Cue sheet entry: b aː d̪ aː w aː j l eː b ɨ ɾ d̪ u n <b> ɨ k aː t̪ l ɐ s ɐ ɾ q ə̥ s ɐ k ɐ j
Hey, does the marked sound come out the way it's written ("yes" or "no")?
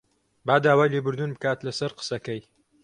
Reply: yes